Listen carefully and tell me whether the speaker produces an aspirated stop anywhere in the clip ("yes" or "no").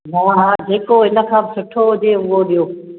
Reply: yes